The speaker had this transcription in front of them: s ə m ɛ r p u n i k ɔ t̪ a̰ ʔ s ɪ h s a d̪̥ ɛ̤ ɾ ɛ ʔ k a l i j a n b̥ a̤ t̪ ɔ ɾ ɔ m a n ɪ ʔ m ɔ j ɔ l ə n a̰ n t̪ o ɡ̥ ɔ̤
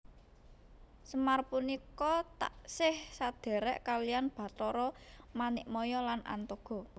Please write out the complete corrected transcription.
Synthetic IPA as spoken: s ə m a r p u n i k ɔ t̪ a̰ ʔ s ɪ h s a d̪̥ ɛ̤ ɾ ɛ ʔ k a l i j a n b̥ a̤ t̪ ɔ ɾ ɔ m a n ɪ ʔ m ɔ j ɔ l a n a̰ n t̪ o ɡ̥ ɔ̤